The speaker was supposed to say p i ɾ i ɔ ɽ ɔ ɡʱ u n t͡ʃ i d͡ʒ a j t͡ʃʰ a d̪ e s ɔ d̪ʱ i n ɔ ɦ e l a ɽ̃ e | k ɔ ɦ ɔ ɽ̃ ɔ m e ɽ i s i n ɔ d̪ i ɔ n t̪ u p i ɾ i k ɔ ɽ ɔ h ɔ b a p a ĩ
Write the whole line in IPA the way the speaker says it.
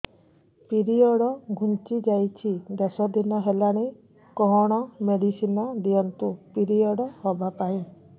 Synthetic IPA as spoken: p i ɾ i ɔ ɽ ɔ ɡʱ u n t͡ʃ i d͡ʒ a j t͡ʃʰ i d̪ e s ɔ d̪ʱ i n ɔ ɦ e l a ɽ̃ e | k ɔ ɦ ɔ ɽ̃ ɔ m e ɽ i s i n ɔ d̪ i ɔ n t̪ u p i ɾ i ɔ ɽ ɔ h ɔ b a p a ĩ